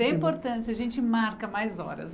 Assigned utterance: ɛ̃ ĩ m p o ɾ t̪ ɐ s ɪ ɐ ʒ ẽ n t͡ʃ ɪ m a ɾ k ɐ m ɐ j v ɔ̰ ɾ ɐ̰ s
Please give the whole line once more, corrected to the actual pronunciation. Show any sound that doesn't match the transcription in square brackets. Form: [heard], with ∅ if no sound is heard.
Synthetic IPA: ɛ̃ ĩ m p o ɾ t̪ [ɐ̃] s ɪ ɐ ʒ ẽ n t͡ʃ ɪ m a ɾ k ɐ m [a] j [z] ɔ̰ ɾ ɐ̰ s